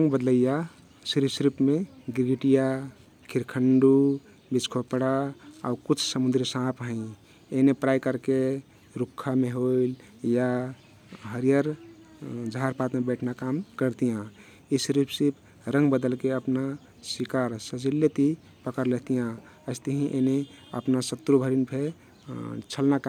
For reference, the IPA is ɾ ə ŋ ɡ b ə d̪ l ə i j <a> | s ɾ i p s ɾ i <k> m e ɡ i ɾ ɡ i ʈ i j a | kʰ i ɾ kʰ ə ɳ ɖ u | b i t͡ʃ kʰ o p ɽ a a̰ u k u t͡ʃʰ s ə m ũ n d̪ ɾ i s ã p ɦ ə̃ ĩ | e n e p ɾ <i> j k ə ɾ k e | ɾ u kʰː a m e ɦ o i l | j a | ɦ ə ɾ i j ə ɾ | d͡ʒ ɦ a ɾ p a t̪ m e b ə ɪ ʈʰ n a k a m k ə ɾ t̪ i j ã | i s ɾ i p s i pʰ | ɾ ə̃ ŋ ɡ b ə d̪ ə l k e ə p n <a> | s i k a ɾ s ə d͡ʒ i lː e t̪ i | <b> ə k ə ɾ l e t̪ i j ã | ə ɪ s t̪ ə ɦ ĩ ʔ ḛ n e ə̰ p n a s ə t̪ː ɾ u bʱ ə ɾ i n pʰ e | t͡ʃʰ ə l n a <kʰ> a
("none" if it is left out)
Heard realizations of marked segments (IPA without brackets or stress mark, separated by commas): a, p, a, a, p, k